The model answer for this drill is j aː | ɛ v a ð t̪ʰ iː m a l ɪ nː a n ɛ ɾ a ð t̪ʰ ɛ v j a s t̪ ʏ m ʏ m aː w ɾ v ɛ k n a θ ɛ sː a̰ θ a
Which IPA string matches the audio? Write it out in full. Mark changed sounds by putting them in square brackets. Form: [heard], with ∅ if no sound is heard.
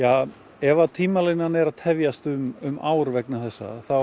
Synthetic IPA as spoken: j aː | ɛ v a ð t̪ʰ iː m a l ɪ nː a n ɛ ɾ a ð t̪ʰ ɛ v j a s t̪ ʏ m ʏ m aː w ɾ v ɛ k n a θ ɛ sː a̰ θ a